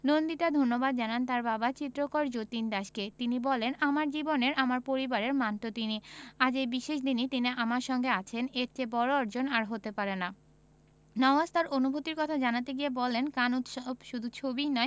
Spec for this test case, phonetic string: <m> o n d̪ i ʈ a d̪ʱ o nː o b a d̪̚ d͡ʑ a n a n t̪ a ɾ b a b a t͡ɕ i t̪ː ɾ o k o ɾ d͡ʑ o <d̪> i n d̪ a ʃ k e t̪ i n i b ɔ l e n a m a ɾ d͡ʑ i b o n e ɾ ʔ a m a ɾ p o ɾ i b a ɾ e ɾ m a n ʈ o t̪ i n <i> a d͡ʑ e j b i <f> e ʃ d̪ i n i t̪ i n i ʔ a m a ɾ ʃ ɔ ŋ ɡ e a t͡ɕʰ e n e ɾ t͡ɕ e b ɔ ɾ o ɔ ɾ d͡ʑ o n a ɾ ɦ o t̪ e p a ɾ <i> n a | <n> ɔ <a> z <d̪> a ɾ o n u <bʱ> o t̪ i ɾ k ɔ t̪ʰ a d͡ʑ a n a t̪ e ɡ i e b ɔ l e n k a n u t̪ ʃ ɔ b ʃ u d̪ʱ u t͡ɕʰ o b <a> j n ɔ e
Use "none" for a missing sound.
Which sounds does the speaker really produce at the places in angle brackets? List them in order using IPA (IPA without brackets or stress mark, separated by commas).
n, t̪, i, ʃ, e, n, a, t̪, bʱ, i